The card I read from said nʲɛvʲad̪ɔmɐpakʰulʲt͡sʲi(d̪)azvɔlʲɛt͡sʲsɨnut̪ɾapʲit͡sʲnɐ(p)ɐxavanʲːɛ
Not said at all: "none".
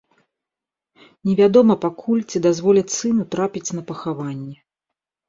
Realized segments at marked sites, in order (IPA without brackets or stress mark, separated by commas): d̪, p